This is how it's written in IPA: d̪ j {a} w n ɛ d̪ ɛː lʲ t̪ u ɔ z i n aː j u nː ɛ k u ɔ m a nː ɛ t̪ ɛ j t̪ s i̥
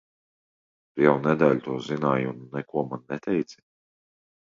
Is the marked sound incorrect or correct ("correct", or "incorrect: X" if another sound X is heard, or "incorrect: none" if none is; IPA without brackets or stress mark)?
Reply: incorrect: ɛ